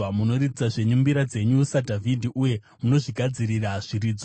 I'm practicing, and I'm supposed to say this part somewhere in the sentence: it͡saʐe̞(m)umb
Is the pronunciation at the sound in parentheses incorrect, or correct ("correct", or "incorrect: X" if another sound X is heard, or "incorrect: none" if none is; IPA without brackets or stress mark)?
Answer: incorrect: ɲ